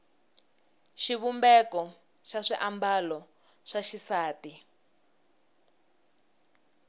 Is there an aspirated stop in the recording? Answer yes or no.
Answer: no